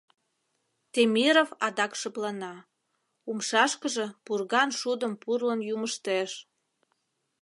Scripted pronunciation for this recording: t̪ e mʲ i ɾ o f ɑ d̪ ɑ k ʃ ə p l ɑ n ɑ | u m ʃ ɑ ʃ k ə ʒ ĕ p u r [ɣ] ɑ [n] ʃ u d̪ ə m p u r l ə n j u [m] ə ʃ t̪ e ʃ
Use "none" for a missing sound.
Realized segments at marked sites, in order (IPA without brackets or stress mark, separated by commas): ɣ, n, m